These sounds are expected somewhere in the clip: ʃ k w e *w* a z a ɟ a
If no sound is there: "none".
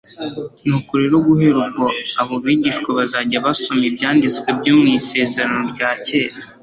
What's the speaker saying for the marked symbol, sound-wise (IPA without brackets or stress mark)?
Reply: β